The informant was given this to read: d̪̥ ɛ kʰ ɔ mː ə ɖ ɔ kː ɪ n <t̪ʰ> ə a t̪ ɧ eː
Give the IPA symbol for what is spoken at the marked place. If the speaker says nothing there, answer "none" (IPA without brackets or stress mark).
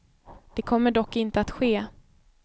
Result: t̪